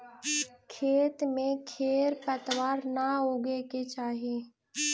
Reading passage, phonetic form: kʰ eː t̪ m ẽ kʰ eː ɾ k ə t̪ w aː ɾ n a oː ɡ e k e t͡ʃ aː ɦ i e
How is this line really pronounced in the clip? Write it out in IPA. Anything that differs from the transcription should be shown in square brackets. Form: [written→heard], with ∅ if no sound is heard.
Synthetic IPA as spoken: kʰ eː t̪ m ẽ kʰ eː ɾ [k→p] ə t̪ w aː ɾ n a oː ɡ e k e t͡ʃ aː ɦ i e